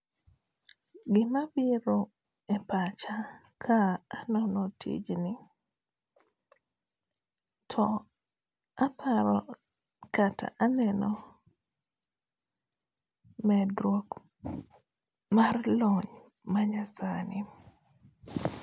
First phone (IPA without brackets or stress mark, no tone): ɡ